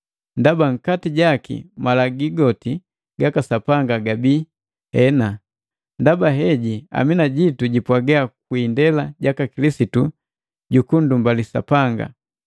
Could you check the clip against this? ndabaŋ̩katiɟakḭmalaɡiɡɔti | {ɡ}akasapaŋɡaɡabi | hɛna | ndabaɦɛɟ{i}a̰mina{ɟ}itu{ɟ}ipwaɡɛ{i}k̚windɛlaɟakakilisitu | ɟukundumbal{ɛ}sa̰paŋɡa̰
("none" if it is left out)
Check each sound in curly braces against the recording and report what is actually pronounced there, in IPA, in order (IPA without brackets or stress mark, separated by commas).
ɡ, i, ɟ, ɟ, a, i